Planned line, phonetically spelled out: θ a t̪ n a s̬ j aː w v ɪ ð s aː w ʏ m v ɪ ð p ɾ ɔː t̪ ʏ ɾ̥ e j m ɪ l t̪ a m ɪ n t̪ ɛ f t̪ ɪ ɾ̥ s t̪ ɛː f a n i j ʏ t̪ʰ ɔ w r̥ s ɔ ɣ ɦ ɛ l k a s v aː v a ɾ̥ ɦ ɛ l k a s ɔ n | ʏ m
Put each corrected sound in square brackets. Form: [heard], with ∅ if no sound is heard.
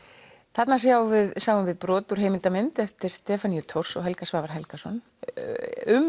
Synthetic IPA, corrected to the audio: θ a t̪ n a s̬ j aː w v ɪ ð s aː w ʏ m v ɪ ð p ɾ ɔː t̪ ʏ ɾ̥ e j m ɪ l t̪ a m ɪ n t̪ ɛ f t̪ ɪ ɾ̥ s t̪ ɛː f a n i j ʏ t̪ʰ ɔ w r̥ s ɔ ɣ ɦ ɛ l k a s v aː v a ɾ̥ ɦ ɛ l k a s ɔ n | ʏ m